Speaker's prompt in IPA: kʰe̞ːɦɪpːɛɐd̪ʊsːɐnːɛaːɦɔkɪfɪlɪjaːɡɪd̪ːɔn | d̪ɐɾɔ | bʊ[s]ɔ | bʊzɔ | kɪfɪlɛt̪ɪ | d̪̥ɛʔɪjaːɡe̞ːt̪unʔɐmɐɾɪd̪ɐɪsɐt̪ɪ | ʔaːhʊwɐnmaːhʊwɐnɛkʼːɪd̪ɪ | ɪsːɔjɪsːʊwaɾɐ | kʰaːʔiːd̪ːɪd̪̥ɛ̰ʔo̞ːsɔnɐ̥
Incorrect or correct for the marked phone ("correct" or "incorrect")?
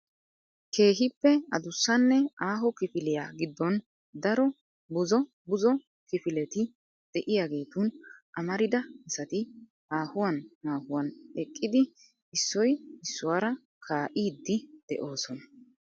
incorrect